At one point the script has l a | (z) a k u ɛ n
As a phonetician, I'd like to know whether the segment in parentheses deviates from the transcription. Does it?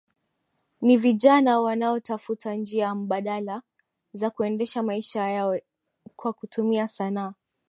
no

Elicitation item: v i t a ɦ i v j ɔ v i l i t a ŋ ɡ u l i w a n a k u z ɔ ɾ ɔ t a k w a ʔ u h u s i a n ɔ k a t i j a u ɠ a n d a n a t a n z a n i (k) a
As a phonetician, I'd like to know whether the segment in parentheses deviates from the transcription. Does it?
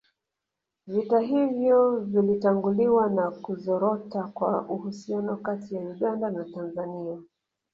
yes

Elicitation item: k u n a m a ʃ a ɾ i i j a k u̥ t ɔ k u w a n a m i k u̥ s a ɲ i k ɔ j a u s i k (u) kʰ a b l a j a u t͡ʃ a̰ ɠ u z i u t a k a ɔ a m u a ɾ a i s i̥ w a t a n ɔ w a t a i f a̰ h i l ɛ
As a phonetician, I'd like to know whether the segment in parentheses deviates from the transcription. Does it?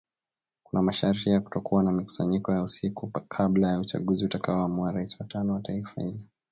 no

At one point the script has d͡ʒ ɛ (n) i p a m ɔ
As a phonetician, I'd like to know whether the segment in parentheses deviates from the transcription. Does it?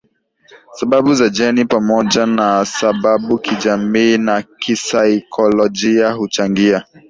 no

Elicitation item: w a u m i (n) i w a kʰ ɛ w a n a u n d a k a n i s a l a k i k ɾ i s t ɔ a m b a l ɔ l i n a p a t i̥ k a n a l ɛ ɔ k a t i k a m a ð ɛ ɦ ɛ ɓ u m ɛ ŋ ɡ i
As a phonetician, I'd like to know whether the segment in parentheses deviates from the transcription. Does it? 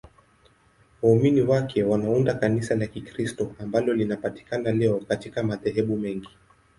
no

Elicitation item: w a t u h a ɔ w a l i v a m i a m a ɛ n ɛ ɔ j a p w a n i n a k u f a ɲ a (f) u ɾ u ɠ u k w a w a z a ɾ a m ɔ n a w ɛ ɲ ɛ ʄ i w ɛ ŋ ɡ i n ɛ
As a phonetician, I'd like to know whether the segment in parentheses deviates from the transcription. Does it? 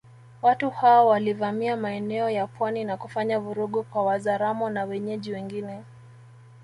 yes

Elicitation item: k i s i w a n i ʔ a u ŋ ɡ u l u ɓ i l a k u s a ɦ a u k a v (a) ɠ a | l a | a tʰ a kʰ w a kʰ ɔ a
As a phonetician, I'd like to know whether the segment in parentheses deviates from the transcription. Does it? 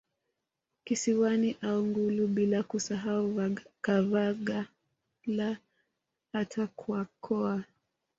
no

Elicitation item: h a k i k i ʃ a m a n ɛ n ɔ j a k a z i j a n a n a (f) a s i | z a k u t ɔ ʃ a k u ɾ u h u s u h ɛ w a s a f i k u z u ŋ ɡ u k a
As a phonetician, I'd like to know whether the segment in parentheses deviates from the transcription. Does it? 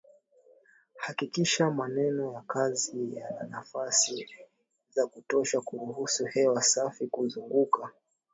no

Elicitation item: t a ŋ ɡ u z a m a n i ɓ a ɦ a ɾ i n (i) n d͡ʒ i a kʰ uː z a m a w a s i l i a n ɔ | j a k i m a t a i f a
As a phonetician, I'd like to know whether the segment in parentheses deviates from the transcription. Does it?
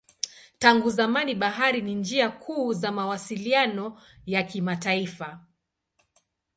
no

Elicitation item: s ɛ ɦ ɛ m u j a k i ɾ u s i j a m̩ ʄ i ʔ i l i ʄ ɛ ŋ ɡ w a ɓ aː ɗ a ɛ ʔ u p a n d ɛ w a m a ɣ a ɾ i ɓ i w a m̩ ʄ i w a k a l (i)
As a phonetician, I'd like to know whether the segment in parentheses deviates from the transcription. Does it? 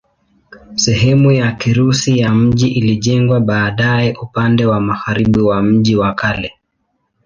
yes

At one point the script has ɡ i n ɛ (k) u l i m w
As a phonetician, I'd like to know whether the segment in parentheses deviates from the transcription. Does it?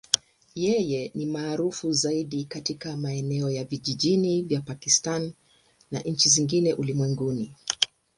yes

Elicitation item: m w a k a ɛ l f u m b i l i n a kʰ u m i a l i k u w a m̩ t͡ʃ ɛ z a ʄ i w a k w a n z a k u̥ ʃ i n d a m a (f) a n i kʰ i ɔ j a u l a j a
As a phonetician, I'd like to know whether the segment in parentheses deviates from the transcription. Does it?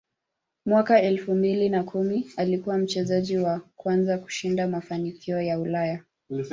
no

